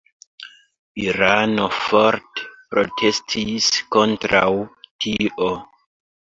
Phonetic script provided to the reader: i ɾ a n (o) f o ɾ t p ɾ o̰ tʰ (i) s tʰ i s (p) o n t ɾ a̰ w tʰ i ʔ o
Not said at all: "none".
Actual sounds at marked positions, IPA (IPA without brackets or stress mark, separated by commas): o, e, k